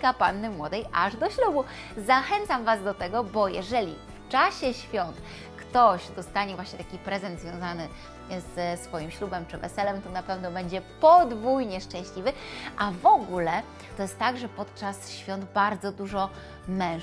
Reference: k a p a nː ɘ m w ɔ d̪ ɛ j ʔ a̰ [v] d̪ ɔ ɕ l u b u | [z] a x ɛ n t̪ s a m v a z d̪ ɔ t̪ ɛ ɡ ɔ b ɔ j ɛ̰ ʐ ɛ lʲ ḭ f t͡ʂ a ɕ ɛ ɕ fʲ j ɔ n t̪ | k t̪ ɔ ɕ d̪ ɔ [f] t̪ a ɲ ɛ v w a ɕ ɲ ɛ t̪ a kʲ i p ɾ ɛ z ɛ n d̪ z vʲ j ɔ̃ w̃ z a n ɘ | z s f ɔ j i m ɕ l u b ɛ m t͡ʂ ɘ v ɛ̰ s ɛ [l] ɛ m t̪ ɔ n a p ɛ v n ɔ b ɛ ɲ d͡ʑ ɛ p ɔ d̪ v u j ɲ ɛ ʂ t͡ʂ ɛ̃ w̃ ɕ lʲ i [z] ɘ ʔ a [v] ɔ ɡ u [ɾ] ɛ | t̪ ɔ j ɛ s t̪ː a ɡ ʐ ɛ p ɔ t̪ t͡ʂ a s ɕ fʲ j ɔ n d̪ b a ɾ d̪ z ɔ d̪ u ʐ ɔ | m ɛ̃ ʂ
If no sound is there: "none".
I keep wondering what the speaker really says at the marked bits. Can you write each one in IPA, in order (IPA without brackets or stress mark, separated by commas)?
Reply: ʐ, z, s, l, v, v, l